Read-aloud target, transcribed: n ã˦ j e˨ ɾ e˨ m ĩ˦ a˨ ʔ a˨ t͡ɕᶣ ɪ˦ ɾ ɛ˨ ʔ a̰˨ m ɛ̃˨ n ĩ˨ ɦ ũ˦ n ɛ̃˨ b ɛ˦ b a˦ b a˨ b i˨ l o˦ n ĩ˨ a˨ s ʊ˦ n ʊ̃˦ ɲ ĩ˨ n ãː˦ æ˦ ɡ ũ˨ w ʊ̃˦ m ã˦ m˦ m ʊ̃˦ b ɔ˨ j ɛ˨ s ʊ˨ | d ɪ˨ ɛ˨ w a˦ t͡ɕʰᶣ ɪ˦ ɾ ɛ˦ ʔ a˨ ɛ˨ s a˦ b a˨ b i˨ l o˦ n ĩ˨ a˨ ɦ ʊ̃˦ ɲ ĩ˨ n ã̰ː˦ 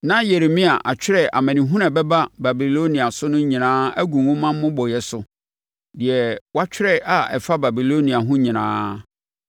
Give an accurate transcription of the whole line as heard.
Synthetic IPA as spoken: n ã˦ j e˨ ɾ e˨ m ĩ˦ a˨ ʔ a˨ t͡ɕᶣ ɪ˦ ɾ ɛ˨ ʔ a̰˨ m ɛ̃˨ n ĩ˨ ɦ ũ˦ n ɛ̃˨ b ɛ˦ b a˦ b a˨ b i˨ l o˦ n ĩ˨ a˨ s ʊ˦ n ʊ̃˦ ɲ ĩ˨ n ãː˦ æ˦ ɡ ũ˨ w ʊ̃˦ m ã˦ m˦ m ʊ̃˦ b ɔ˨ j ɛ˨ s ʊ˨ | d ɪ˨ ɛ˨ w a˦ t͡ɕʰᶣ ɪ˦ ɾ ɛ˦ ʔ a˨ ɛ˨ f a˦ b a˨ b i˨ l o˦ n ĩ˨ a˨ ɦ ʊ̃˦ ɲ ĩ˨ n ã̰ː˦

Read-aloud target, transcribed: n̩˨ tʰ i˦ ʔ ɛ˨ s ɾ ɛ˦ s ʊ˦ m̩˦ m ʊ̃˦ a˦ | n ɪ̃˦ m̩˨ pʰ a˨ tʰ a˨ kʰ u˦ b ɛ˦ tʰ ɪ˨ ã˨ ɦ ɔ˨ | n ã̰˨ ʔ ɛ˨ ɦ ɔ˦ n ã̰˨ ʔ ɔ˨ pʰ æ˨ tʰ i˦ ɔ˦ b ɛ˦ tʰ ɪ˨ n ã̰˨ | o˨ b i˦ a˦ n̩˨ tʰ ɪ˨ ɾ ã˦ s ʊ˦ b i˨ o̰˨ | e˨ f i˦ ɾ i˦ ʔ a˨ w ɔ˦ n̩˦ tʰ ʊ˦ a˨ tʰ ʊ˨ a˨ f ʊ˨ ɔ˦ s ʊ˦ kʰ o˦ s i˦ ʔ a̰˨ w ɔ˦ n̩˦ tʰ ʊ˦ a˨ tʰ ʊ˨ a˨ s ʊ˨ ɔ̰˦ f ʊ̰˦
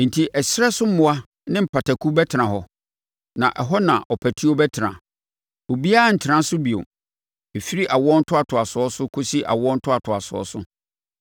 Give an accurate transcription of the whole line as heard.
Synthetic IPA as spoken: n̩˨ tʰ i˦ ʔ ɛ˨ s ɾ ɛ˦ s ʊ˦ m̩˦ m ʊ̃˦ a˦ | n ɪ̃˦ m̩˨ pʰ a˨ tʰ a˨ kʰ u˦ b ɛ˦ tʰ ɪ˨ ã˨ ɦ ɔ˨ | n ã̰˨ ʔ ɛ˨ ɦ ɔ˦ n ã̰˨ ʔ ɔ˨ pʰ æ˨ tʰ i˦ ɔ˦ b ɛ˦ tʰ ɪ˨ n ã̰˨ | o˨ b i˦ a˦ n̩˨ tʰ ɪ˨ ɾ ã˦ s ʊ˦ b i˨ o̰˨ | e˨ f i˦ ɾ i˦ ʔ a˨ w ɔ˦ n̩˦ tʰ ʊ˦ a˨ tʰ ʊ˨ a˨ s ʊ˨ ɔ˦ s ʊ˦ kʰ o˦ s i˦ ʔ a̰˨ w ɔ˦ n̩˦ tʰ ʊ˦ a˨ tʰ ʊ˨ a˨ s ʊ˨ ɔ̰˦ s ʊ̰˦

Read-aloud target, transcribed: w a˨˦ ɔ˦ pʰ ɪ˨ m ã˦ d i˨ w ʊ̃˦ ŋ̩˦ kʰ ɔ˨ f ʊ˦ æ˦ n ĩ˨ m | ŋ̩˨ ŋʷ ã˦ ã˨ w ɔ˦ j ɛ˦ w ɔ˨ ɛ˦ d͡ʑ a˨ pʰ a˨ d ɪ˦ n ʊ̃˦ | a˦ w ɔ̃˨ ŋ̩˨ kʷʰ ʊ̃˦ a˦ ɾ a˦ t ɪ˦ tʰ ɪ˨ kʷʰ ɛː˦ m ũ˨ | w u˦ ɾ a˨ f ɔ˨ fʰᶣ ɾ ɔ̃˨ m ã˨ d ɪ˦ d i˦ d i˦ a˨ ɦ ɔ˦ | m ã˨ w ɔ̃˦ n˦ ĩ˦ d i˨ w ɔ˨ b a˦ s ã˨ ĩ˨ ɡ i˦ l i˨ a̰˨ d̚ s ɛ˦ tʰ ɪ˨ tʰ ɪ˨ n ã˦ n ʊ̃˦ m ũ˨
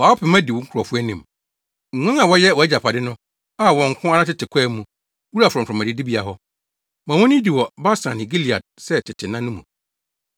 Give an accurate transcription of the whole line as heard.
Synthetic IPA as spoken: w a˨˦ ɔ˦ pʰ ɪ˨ m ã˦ d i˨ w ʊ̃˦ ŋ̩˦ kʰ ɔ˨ f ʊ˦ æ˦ n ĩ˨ m | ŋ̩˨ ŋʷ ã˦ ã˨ w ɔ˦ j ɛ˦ w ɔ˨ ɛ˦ d͡ʑ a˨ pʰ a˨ d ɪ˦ n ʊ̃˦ | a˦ w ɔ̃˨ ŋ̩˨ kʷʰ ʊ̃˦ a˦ ɾ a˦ t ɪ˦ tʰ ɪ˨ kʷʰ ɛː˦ m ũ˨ | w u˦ ɾ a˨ f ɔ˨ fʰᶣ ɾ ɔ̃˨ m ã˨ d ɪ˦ d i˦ b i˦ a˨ ɦ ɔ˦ | m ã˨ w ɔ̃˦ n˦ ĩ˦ d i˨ w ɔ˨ b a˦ s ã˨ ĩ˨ ɡ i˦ l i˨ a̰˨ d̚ s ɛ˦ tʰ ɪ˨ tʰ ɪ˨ n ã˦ n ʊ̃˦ m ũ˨

